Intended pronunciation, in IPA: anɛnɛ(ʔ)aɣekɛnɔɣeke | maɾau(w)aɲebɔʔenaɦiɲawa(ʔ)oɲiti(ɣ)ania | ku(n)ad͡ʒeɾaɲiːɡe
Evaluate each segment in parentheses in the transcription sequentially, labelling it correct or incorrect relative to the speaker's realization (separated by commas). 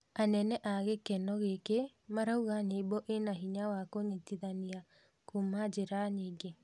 correct, incorrect, incorrect, incorrect, incorrect